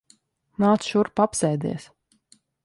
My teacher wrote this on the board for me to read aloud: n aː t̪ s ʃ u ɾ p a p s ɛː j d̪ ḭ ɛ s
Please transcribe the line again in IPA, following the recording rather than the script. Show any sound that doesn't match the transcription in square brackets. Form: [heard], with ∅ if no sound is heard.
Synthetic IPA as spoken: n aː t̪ s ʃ u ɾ p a p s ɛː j d̪ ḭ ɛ s